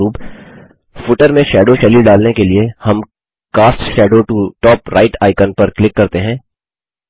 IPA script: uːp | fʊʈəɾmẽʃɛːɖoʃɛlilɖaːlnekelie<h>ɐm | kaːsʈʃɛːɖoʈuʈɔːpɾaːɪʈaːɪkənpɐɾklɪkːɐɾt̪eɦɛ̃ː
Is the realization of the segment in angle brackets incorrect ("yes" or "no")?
no